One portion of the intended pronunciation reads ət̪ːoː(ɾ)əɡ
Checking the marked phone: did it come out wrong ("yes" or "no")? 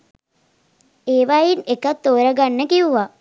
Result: no